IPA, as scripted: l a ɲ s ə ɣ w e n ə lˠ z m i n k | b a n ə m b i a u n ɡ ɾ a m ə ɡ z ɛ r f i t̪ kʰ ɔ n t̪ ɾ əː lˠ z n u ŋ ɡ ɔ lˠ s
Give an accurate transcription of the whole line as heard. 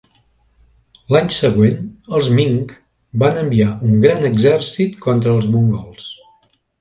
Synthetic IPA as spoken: l a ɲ s ə ɣ w e n ə lˠ z m i ŋ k | b a n ə m b i a u ŋ ɡ ɾ a n ə ɡ z ɛ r s i t̪ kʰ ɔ n t̪ ɾ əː lˠ z m u ŋ ɡ ɔ lˠ s